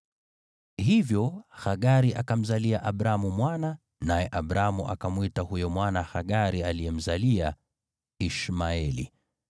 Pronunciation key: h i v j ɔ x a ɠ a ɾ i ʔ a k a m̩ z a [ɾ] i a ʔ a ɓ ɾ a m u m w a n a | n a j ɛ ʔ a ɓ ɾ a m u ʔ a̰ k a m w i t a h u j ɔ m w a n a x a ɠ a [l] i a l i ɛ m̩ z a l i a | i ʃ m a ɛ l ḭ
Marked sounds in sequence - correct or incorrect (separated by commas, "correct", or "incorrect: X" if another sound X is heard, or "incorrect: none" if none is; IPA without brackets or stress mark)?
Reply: incorrect: l, incorrect: ɾ